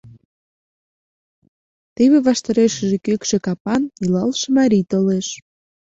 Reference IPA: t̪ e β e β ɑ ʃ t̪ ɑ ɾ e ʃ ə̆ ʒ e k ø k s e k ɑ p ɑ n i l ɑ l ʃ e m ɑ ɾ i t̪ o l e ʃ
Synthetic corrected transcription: t̪ e β e β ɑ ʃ t̪ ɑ ɾ e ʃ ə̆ ʒ e k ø k ʃ e k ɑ p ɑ n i l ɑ l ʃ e m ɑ ɾ i t̪ o l e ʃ